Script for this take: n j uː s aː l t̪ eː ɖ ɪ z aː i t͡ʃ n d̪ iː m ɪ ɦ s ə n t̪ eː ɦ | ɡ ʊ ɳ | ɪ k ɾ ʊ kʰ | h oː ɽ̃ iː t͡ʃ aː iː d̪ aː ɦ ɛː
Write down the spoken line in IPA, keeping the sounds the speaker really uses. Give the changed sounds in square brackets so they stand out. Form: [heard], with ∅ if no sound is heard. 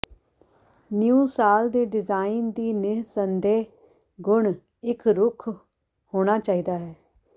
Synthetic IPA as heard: n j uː s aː l [d̪] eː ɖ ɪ z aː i [∅] n d̪ iː [n] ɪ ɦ s ə n [d̪] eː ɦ | ɡ ʊ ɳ | ɪ k ɾ ʊ kʰ | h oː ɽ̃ [aː] t͡ʃ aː iː d̪ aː ɦ ɛː